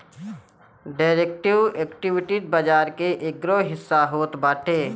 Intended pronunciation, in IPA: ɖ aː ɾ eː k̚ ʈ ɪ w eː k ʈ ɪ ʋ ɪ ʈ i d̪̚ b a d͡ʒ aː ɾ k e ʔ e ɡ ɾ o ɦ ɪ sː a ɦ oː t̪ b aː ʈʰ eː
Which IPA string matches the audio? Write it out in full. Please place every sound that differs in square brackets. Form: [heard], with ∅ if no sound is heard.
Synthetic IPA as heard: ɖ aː ɾ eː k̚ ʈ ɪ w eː k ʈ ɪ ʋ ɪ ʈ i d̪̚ b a d͡ʒ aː ɾ k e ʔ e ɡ ɾ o ɦ ɪ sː a ɦ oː t̪ b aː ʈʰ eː